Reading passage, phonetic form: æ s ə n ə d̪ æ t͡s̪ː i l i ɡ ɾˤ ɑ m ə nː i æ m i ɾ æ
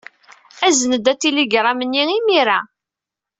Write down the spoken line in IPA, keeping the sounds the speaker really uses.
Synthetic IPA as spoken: æ z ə n ə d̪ æ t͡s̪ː i l i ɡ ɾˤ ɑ m ə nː i i m i ɾ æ